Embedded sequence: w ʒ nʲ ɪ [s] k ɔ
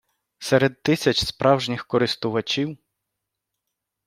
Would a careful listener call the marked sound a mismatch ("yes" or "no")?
yes